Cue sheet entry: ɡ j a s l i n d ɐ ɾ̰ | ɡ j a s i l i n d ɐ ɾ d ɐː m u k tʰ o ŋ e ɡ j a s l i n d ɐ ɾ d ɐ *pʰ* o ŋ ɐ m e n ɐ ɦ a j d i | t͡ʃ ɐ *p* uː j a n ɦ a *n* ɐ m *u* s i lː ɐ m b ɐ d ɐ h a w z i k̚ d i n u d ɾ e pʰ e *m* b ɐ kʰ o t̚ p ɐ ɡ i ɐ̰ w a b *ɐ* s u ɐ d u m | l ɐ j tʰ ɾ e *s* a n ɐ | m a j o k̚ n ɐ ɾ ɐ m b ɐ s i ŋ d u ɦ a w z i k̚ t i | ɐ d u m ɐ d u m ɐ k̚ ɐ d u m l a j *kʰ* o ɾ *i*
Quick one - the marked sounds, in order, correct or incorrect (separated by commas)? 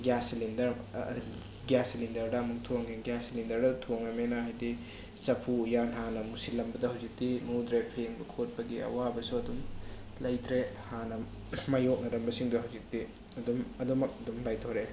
incorrect, incorrect, correct, correct, incorrect, correct, incorrect, incorrect, incorrect